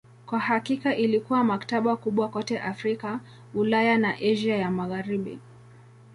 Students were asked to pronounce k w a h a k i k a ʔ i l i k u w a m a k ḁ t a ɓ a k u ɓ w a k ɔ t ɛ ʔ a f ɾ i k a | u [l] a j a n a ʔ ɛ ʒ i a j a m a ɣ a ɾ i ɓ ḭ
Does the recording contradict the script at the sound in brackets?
no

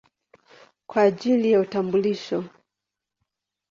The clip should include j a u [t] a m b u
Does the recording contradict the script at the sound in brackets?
no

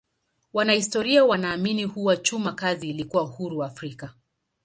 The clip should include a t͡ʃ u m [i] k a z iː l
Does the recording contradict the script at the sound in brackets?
yes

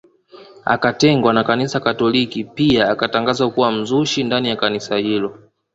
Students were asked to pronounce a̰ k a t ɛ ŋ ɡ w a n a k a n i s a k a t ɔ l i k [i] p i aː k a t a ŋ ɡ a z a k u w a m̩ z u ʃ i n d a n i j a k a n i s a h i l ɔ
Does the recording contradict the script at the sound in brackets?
no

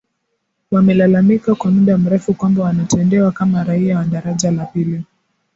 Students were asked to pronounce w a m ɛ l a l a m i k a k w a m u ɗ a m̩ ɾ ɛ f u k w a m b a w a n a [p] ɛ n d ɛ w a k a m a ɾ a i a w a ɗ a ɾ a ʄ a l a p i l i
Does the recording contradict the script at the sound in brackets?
yes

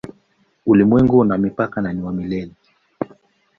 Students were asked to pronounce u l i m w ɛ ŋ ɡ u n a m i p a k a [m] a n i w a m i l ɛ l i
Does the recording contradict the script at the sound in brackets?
yes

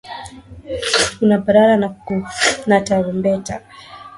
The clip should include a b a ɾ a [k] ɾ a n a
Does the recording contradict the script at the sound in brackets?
yes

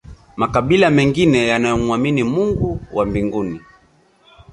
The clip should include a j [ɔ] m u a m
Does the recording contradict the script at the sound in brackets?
no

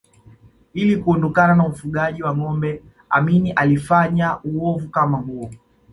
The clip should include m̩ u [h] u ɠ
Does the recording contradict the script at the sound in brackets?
yes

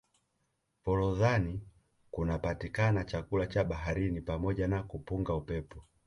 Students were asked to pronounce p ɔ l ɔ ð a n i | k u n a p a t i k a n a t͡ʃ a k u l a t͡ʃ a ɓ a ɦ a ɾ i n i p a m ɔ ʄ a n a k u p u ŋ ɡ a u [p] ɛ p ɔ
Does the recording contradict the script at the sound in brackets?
no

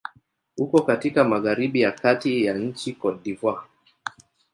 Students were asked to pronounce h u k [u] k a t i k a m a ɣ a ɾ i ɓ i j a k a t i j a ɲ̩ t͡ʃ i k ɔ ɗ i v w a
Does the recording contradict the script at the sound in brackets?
yes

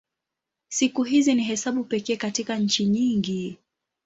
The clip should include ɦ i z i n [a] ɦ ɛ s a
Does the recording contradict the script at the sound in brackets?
yes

